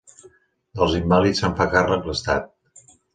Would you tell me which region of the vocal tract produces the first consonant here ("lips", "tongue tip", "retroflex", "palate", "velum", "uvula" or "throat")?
tongue tip